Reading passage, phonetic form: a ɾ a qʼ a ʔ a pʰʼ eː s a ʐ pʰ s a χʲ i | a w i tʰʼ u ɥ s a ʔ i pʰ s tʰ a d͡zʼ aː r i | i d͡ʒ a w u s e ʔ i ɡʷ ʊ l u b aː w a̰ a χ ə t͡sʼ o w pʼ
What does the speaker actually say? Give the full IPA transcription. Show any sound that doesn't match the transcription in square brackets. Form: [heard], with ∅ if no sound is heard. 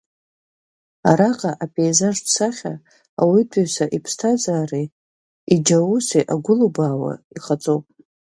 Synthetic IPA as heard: a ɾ a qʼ a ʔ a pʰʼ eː [z] a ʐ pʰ s a χʲ [a] | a w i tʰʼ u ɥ s a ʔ i pʰ s tʰ a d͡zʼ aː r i | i d͡ʒ a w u s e ʔ [a] ɡʷ ʊ l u b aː w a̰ [i] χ [a] t͡sʼ o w pʼ